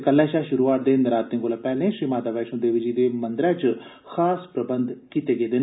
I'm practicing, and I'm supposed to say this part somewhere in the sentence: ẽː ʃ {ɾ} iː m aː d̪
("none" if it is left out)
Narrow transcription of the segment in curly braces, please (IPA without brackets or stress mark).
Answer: ɾ